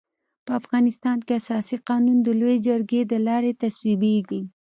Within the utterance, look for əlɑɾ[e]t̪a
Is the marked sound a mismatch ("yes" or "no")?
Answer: no